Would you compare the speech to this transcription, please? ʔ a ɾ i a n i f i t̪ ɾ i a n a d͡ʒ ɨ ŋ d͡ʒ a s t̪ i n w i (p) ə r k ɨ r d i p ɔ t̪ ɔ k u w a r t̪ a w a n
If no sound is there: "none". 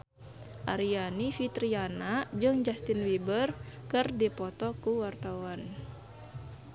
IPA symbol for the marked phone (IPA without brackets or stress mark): b